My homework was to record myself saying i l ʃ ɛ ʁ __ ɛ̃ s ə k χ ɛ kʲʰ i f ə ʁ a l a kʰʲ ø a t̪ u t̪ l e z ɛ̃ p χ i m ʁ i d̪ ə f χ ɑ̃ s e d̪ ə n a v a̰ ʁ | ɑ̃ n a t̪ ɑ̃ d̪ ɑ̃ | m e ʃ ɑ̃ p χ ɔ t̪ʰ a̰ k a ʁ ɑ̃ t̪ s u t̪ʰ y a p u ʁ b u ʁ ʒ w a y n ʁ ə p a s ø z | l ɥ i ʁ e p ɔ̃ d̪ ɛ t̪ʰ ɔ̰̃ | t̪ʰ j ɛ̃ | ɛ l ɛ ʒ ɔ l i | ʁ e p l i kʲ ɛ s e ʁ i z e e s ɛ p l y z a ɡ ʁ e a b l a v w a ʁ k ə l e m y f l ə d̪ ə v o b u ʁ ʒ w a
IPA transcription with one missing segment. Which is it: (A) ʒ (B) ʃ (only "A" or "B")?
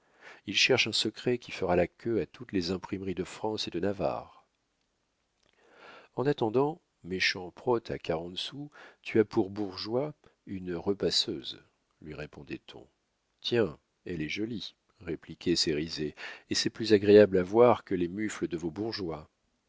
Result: B